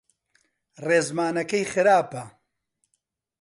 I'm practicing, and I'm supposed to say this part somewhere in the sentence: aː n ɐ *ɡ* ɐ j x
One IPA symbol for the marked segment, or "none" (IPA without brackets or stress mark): k